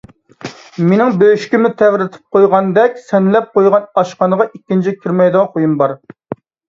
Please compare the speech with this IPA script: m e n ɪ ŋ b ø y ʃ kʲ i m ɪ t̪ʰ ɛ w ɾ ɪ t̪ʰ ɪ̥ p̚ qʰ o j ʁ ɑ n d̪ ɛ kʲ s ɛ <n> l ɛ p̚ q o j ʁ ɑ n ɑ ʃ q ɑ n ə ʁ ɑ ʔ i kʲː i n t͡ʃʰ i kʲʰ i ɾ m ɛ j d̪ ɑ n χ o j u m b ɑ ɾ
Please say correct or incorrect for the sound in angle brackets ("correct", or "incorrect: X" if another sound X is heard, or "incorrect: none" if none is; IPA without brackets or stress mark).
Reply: correct